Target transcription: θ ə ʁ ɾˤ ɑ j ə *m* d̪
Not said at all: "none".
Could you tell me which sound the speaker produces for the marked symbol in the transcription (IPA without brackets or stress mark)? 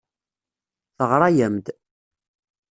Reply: m